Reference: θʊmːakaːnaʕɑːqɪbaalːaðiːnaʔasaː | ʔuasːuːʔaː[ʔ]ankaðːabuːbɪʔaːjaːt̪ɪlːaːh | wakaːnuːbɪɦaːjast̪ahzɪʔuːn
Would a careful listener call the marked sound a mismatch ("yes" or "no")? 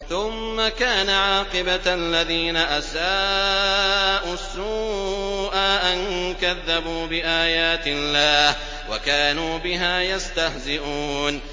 no